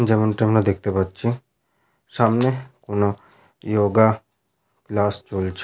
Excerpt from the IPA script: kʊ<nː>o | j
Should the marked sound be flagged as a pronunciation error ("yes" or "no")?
yes